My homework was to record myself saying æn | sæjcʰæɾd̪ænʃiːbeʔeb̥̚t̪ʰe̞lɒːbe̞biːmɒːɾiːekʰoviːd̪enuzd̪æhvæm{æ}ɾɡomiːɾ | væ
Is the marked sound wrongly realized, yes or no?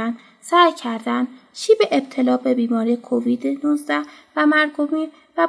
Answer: no